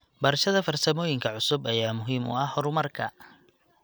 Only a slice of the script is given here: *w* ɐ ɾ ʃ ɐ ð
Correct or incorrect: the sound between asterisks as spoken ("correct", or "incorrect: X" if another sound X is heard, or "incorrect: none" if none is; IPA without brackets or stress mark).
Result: incorrect: b